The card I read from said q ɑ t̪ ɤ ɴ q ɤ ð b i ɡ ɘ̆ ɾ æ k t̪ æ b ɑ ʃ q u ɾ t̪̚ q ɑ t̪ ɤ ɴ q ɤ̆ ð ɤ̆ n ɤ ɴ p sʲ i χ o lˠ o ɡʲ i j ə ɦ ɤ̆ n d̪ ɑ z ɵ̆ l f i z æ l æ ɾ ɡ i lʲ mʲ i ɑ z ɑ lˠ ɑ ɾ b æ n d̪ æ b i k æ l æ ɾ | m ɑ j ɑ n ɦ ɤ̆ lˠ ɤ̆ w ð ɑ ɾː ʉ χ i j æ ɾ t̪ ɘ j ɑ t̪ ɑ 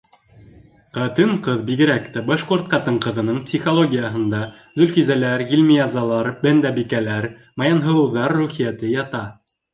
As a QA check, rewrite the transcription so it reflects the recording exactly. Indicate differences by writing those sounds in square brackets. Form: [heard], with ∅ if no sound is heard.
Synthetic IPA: q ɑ t̪ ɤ ɴ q ɤ ð b i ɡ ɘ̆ ɾ æ k t̪ æ b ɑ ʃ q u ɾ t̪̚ q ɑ t̪ ɤ ɴ q ɤ̆ ð ɤ̆ n ɤ ɴ p sʲ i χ o lˠ o ɡʲ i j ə ɦ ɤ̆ n d̪ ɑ z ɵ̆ l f i z æ l æ ɾ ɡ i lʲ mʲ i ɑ z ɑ lˠ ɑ ɾ b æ n d̪ æ b i k æ l æ ɾ | m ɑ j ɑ n ɦ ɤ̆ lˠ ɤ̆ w ð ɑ ɾː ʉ χ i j æ [∅] t̪ ɘ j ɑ t̪ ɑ